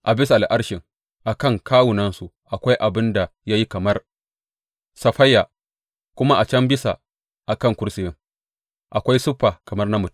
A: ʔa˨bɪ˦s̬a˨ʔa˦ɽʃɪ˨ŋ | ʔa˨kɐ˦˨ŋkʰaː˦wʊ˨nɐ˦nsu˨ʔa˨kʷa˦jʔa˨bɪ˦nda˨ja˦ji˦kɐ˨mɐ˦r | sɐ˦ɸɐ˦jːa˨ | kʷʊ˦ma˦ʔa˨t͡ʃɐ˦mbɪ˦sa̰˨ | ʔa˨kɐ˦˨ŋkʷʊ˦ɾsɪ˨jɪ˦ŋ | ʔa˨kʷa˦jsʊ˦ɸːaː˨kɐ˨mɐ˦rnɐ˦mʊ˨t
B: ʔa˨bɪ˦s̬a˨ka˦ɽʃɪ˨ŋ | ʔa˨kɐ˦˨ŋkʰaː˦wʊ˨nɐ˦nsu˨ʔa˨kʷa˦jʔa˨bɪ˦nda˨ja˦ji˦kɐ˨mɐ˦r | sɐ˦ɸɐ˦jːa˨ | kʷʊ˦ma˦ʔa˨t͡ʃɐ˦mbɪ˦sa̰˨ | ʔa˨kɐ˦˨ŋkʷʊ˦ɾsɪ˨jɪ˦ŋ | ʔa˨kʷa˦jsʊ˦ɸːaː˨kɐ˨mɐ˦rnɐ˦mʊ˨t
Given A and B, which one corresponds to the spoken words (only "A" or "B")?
A